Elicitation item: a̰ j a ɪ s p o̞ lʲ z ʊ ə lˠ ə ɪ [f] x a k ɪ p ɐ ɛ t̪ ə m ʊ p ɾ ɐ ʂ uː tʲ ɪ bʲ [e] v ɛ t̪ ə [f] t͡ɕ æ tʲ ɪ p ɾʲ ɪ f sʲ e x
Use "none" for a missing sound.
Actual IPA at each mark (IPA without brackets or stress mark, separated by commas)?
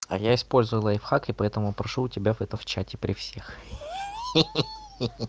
f, a, f